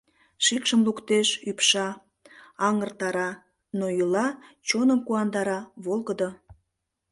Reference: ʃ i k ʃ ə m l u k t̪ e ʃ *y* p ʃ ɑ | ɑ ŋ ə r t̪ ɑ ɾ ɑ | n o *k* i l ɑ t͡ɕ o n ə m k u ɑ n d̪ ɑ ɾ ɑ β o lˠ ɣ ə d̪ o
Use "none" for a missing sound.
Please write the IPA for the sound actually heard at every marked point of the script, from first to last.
y, none

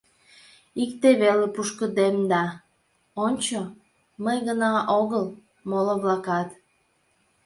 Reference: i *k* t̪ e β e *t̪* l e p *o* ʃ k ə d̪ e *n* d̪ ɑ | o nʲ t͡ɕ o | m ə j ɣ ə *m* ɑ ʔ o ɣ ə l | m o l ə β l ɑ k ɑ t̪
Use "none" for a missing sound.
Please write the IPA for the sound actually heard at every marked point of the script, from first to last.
k, none, u, m, n

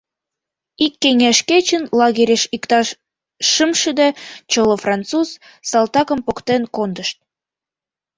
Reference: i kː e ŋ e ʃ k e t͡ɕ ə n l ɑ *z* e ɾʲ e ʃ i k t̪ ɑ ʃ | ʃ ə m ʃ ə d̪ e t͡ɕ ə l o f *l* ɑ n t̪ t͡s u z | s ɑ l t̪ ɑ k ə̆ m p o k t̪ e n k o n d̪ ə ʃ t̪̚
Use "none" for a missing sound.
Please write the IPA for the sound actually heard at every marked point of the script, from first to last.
ɣ, r

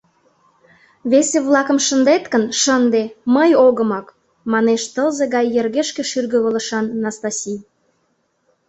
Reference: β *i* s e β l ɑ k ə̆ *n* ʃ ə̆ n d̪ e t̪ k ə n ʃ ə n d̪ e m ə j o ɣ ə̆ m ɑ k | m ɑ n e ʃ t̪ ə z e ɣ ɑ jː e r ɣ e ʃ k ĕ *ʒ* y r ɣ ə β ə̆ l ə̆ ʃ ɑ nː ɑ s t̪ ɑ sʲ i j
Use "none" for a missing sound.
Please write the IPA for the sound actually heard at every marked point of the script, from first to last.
e, m, ʃ

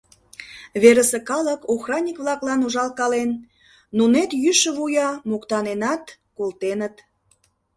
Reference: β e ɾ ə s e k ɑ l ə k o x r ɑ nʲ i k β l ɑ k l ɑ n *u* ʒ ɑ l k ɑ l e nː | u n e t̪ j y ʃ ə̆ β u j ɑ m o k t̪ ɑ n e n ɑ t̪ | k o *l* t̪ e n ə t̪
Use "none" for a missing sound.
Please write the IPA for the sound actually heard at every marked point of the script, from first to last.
u, l

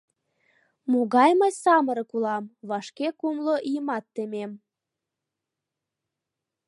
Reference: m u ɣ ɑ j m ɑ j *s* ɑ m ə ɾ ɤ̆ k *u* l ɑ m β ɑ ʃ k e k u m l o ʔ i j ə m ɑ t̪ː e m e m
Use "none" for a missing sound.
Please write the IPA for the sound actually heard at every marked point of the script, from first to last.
s, u

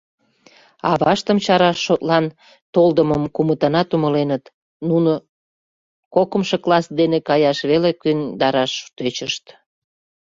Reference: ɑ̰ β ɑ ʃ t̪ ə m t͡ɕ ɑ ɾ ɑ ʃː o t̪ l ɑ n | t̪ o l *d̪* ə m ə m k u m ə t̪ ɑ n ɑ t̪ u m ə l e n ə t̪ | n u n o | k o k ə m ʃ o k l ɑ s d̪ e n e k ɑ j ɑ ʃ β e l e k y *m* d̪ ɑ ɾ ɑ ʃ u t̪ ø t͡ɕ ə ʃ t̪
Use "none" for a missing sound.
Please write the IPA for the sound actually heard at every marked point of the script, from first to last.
d̪, n

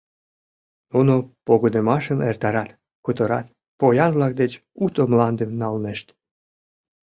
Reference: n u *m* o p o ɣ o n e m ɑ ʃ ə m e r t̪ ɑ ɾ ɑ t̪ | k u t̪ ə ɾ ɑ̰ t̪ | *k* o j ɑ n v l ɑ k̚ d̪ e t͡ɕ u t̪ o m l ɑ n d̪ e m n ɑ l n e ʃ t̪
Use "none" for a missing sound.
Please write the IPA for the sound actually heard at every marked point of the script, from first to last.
n, p

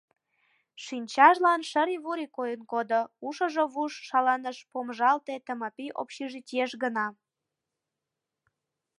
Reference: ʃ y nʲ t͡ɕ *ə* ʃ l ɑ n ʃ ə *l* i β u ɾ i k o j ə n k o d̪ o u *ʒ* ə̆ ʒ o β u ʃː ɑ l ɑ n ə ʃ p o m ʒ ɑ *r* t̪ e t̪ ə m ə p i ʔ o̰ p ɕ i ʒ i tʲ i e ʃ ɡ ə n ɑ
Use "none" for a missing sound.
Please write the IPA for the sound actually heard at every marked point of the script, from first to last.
ɑ, ɾ, ʃ, l

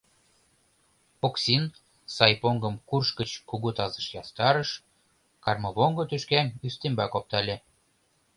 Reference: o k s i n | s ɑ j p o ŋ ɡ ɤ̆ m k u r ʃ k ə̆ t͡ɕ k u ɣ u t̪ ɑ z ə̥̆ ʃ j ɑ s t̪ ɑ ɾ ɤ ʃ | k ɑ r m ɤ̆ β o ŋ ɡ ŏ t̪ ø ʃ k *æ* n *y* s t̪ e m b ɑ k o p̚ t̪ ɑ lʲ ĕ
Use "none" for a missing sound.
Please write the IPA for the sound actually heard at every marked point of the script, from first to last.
æ, y

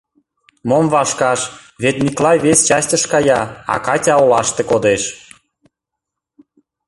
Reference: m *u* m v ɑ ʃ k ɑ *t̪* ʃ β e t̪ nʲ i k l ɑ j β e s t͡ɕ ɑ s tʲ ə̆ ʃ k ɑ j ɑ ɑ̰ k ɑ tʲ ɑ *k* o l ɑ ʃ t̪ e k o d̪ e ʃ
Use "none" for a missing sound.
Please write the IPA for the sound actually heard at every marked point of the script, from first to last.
o, none, none

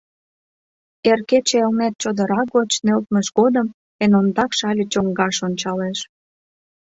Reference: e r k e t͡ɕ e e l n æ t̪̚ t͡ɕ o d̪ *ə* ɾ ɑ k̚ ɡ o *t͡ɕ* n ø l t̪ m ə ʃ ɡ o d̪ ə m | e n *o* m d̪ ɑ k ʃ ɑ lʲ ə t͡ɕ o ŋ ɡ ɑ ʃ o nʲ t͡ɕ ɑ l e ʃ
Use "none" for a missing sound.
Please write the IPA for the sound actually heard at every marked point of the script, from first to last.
ə, t͡ɕ, o

